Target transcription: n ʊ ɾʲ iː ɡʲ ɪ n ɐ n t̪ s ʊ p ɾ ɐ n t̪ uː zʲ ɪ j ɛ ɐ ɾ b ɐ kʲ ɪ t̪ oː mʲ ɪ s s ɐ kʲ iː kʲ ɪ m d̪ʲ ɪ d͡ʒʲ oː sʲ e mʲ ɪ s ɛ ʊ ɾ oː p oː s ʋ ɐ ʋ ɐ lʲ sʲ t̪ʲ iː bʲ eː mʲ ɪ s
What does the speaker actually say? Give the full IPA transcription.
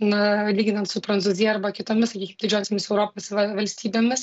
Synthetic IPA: n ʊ lʲ iː ɡʲ ɪ n ɐ n t̪ s ʊ p ɾ ɐ n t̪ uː zʲ ɪ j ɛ ɐ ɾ b ɐ kʲ ɪ t̪ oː mʲ ɪ s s ɐ kʲ iː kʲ ɪ m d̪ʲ ɪ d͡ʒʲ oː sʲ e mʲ ɪ s ɛ ʊ ɾ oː p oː s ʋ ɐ ʋ ɐ lʲ sʲ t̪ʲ iː bʲ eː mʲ ɪ s